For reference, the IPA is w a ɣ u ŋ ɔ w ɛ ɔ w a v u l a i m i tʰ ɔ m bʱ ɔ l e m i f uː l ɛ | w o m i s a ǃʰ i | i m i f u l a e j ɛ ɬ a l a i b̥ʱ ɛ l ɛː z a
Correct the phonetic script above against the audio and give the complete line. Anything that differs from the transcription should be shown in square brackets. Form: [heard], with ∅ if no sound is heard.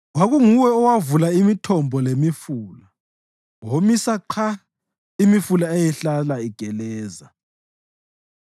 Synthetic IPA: w a ɣ u ŋ [u] w ɛ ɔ w a v u l a i m i tʰ ɔ m bʱ ɔ l e m i f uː l [a] | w o m i s a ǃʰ [a] | i m i f u l a e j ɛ ɬ a l a i [ɡ̥ʱ] ɛ l ɛː z a